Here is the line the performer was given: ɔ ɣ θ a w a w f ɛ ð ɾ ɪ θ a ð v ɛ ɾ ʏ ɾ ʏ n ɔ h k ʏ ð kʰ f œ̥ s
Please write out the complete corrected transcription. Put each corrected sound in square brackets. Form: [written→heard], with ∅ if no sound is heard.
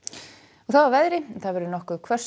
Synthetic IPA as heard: ɔ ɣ θ a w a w [f→v] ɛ ð ɾ ɪ θ a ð v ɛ ɾ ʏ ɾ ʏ n ɔ h k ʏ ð kʰ [f→v] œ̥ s